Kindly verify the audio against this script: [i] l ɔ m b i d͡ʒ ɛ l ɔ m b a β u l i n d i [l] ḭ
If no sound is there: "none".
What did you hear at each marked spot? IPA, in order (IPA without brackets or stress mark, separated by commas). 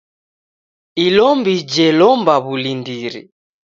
i, ɾ